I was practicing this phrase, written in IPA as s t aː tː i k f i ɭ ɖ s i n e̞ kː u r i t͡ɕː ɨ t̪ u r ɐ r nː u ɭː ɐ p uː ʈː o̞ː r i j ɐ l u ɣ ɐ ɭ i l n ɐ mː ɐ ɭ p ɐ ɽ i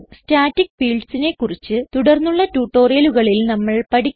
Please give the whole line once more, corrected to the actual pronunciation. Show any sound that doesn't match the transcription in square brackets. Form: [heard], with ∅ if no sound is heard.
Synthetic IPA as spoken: s t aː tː i k f [iː] ɭ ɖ s i n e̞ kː u r i t͡ɕː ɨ t̪ u [ɽ] ɐ r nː u ɭː ɐ [t] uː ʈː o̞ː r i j ɐ l u ɣ ɐ ɭ i l n ɐ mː ɐ ɭ p ɐ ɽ i

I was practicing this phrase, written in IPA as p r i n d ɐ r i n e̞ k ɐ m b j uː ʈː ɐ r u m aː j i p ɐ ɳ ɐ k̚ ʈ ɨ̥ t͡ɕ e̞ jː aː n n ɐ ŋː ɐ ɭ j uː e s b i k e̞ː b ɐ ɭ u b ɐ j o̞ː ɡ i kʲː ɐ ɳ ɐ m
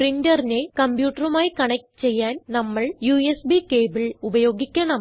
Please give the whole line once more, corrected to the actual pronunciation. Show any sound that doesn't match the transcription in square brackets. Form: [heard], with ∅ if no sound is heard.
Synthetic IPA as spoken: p r i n d ɐ r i n e̞ k ɐ m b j uː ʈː ɐ r u m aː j i [k] ɐ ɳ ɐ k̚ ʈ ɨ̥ t͡ɕ e̞ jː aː n n ɐ [mː] ɐ ɭ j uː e s b i k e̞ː b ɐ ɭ u b ɐ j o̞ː ɡ i kʲː ɐ ɳ ɐ m

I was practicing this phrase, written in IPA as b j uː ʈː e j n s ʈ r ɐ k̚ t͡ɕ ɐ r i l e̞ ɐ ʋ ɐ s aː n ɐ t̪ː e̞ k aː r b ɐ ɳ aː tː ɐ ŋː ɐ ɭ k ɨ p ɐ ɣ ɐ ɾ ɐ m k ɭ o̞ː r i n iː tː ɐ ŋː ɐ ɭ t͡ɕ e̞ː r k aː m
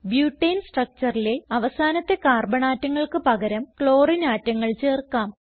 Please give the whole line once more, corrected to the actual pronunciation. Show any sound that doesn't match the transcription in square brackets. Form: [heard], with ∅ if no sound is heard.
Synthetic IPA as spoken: b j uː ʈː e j n s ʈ r ɐ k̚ t͡ɕ ɐ r i l e̞ ɐ ʋ ɐ s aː n ɐ t̪ː e̞ k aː r b ɐ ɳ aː tː ɐ ŋː ɐ ɭ k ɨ p ɐ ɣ ɐ ɾ ɐ m k ɭ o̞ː r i n [aː] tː ɐ ŋː ɐ ɭ t͡ɕ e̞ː r k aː m

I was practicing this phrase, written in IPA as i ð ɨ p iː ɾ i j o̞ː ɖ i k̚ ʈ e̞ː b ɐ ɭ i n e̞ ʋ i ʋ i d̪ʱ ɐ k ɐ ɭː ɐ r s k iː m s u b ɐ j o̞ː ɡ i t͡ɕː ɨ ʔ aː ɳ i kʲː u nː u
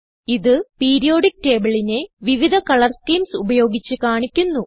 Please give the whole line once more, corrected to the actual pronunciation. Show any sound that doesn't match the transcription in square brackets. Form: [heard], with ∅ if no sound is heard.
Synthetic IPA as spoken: i ð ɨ p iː ɾ i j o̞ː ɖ i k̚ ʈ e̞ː b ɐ ɭ i n e̞ ʋ i ʋ i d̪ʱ ɐ k ɐ [ɭ] ɐ r s k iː m s u b ɐ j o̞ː ɡ i t͡ɕː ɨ [k] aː ɳ i kʲː u nː u

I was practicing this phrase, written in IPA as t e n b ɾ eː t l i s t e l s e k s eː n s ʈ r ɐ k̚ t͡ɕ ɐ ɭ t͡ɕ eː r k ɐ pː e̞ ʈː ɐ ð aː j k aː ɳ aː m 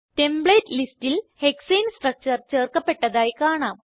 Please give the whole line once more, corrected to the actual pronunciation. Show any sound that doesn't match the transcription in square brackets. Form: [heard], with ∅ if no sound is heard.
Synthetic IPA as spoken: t e [m] b [ɭ] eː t l i s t [i] l [h] e k s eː n s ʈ r ɐ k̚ t͡ɕ ɐ [r] t͡ɕ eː r k ɐ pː e̞ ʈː ɐ ð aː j k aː ɳ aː m

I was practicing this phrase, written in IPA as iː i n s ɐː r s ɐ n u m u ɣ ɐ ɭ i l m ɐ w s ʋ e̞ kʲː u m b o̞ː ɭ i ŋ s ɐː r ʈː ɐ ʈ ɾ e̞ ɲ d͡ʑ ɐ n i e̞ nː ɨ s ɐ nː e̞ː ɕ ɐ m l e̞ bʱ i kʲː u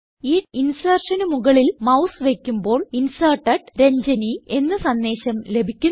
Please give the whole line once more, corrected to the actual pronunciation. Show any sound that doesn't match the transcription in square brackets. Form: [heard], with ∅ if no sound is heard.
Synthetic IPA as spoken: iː i n s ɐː r [ʂ] ɐ n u m u ɣ ɐ ɭ i l m ɐ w s ʋ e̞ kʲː u m b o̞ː ɭ i [n] s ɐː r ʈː ɐ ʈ ɾ e̞ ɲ d͡ʑ ɐ n i e̞ nː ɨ s ɐ nː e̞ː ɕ ɐ m l e̞ bʱ i kʲː u

